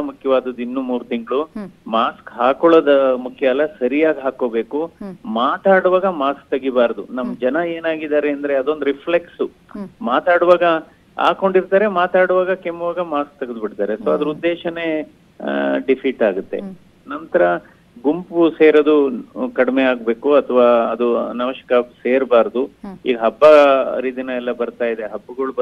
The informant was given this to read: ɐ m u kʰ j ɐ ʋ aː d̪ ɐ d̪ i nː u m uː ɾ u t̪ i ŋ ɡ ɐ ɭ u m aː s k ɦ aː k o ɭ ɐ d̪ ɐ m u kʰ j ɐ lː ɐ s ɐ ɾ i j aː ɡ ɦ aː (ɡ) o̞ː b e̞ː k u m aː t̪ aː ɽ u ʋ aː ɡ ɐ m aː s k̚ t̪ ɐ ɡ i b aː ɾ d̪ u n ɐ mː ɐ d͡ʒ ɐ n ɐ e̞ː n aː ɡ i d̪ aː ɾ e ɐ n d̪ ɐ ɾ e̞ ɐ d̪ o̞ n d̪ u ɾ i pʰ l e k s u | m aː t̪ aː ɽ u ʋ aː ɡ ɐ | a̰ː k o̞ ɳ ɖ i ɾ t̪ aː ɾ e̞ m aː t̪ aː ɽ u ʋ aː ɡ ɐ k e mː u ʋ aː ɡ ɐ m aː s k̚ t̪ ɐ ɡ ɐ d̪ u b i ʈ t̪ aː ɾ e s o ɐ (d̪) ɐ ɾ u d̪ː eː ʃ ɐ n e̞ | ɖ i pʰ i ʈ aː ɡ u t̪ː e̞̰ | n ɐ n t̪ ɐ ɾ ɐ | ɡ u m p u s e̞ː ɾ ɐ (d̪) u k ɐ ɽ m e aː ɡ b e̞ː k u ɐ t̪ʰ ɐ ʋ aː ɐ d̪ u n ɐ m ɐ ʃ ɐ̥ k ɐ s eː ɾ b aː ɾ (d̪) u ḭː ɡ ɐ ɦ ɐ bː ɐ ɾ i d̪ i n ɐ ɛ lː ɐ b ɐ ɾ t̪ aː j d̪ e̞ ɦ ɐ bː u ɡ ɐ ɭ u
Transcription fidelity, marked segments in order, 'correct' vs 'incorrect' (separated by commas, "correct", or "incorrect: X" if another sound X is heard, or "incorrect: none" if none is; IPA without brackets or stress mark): incorrect: k, correct, correct, correct